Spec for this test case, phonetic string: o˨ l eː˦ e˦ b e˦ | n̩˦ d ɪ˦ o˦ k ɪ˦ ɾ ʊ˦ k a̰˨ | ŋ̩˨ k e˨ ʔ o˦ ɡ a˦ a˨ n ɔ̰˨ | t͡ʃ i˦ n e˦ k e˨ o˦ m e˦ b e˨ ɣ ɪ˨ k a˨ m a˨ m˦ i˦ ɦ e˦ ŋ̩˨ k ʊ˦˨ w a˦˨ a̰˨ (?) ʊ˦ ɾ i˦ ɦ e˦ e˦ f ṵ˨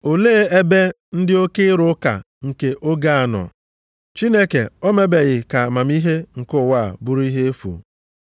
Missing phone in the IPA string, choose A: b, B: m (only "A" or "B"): A